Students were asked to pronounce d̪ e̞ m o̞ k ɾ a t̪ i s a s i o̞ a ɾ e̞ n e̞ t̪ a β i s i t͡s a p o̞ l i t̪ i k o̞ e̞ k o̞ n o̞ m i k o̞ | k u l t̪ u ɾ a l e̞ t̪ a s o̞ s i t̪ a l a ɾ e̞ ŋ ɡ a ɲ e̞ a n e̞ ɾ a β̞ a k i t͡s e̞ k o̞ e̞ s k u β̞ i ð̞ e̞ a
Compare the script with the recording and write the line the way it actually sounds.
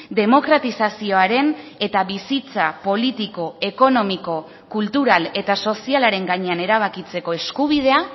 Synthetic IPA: d̪ e̞ m o̞ k ɾ a t̪ i s a s i o̞ a ɾ e̞ n e̞ t̪ a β i s i t͡s a p o̞ l i t̪ i k o̞ e̞ k o̞ n o̞ m i k o̞ | k u l t̪ u ɾ a l e̞ t̪ a s o̞ s i a l a ɾ e̞ ŋ ɡ a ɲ e̞ a n e̞ ɾ a β̞ a k i t͡s e̞ k o̞ e̞ s k u β̞ i ð̞ e̞ a